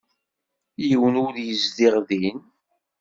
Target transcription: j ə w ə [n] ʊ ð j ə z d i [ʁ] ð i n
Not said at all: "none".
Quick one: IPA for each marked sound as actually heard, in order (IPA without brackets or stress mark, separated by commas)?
n, ʁ